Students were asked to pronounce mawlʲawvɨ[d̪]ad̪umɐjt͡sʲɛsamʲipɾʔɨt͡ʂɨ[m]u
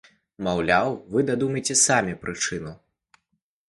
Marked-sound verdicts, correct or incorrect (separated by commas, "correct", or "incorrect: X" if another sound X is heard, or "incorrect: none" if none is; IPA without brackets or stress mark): correct, incorrect: n